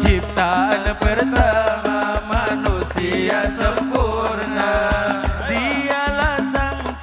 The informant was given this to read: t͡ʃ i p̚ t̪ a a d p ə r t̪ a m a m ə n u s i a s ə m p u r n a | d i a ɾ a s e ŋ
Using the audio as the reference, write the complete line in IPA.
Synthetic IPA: t͡ʃ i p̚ t̪ a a n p ə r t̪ a m a m a n u s i a s ə m p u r n a | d i a l a s a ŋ